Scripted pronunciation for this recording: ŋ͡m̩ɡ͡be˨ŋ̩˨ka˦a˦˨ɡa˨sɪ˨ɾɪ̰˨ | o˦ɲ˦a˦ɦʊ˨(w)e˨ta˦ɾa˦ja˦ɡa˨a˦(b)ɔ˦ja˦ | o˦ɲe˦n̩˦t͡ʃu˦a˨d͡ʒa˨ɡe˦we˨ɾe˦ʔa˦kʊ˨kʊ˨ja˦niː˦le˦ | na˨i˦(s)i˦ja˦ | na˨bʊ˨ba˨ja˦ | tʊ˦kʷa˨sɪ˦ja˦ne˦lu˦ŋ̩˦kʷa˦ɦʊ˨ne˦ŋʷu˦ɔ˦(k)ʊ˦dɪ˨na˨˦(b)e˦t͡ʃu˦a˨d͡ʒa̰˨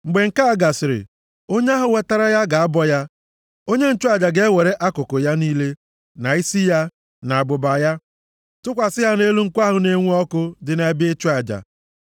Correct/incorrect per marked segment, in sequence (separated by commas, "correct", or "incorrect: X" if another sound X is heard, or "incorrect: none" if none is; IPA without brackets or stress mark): correct, correct, correct, correct, correct